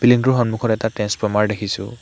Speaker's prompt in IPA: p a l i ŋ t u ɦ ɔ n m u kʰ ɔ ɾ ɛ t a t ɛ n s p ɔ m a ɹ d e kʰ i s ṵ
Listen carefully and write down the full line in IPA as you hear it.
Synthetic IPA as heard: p i l i ŋ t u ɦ ɔ n m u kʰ ɔ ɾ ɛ t a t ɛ n s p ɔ m a ɹ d e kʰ i s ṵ